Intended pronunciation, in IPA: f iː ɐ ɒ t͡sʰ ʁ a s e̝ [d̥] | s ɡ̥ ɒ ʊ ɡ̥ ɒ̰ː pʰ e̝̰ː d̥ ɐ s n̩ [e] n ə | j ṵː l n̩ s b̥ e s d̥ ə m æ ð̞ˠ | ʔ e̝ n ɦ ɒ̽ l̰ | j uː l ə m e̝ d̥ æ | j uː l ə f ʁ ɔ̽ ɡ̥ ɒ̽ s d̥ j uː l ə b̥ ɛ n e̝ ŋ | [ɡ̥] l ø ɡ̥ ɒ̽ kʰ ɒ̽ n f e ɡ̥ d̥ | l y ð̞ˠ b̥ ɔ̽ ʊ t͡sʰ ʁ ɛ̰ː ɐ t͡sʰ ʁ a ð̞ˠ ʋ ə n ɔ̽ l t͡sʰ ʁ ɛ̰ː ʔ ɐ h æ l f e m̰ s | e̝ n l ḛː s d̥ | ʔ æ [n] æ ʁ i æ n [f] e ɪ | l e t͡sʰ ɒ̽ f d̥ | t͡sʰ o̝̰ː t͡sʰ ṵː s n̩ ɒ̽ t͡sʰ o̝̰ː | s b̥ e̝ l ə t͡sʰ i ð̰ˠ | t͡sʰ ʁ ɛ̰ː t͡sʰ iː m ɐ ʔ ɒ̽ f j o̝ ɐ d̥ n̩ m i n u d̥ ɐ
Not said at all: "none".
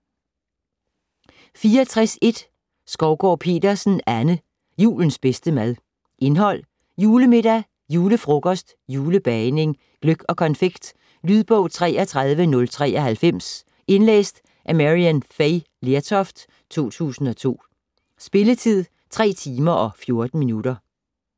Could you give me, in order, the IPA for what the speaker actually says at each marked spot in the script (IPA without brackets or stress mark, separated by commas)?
d̥, æ, ɡ̥, m, f